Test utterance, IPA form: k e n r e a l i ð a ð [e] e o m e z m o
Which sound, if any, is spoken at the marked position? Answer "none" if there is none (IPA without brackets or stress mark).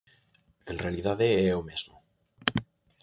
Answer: e